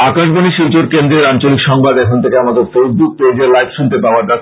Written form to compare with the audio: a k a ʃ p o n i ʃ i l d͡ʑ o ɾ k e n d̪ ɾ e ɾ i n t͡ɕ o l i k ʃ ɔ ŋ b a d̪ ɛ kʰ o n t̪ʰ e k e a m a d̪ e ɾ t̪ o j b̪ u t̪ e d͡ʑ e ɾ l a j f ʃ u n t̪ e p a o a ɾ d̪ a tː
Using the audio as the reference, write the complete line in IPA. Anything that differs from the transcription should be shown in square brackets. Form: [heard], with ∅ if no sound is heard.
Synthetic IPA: a k a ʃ [b] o n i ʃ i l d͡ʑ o ɾ k e n d̪ ɾ e ɾ [a] n t͡ɕ o l i k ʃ ɔ ŋ b a d̪ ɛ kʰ o n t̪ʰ e k e a m a d̪ e ɾ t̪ o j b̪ u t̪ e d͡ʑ e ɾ l a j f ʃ u n t̪ e p a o a ɾ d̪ a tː